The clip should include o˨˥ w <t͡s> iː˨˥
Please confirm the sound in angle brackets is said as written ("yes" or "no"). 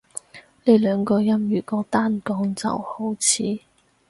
no